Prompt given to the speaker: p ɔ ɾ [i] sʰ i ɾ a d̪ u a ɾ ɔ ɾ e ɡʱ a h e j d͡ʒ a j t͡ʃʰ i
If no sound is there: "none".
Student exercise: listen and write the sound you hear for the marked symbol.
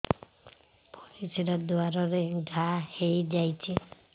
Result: i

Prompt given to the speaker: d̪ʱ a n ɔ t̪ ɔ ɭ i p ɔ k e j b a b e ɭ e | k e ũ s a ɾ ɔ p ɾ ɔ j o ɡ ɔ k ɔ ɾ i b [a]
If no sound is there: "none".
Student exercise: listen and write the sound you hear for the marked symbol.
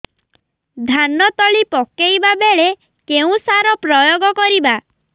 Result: a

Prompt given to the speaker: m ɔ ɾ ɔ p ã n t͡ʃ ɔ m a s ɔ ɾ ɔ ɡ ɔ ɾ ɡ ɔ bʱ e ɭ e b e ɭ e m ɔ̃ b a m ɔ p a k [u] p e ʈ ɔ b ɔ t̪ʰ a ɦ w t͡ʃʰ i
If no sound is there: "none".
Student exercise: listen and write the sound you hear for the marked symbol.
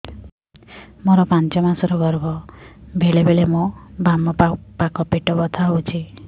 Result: ɔ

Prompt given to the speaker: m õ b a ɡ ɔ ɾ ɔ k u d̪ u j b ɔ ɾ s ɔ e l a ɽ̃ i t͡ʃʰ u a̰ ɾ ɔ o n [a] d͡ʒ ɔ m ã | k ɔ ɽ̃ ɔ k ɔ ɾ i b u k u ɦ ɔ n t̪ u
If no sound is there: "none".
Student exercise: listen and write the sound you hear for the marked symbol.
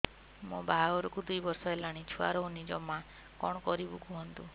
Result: i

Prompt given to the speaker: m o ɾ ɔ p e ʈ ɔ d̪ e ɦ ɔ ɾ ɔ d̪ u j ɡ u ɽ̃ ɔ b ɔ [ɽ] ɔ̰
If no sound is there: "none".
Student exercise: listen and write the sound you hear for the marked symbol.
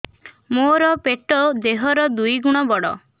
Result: ɽ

